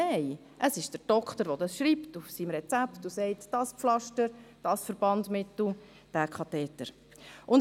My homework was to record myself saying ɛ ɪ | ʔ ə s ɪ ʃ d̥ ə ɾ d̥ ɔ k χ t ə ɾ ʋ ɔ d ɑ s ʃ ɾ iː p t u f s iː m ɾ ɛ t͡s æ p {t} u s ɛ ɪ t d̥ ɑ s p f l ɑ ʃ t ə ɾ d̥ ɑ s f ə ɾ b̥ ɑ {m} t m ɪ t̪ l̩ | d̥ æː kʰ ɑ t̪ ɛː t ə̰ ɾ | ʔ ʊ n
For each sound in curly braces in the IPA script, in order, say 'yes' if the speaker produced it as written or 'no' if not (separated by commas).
yes, no